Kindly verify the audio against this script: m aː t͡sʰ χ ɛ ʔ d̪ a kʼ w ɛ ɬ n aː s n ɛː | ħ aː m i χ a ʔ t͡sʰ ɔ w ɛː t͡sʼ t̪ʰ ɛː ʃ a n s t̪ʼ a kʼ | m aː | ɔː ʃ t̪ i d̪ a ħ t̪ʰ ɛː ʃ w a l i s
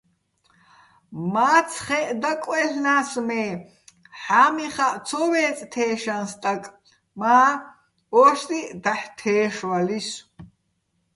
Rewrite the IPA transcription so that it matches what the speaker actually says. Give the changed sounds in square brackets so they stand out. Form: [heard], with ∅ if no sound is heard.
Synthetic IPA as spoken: m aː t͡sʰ χ ɛ ʔ d̪ a kʼ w ɛ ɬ n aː s [m] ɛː | ħ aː m i χ a ʔ t͡sʰ ɔ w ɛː t͡sʼ t̪ʰ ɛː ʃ a n s t̪ʼ a kʼ | m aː | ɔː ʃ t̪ i d̪ a ħ t̪ʰ ɛː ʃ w a l i s

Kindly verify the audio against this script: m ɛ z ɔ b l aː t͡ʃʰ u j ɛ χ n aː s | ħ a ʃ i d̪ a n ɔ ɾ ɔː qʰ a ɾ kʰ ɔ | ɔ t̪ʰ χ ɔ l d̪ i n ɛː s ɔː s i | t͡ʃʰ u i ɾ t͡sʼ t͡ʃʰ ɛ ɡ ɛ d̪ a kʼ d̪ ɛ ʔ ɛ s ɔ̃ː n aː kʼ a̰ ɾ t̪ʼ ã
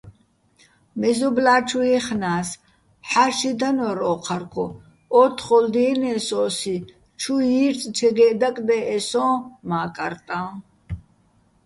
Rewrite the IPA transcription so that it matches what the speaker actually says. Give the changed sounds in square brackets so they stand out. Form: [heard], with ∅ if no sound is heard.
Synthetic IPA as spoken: m ɛ z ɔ b l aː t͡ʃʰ u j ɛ χ n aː s | ħ a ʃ i d̪ a n ɔ ɾ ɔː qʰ a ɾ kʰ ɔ | ɔ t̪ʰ χ ɔ l d̪ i n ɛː s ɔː s i | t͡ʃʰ u i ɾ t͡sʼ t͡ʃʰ ɛ ɡ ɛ d̪ a kʼ d̪ ɛ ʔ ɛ s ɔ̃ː [m] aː kʼ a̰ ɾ t̪ʼ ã

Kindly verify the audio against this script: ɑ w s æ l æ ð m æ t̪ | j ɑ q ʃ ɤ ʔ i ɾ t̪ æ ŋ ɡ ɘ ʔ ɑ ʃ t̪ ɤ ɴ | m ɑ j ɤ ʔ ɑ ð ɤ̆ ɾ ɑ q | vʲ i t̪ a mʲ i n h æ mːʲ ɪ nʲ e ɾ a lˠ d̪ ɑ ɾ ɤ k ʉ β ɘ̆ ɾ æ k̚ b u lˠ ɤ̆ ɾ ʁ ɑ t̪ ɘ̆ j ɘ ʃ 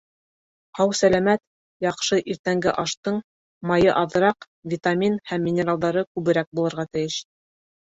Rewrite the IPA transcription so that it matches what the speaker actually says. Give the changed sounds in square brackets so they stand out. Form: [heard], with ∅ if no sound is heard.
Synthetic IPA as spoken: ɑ w s æ l æ [∅] m æ t̪ | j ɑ q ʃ ɤ ʔ i ɾ t̪ æ ŋ ɡ ɘ ʔ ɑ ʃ t̪ ɤ ɴ | m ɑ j ɤ ʔ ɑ ð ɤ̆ ɾ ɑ q | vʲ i t̪ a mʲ i n h æ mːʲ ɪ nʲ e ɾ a lˠ d̪ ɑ ɾ ɤ k ʉ β ɘ̆ ɾ æ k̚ b u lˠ ɤ̆ ɾ ʁ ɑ t̪ ɘ̆ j ɘ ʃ

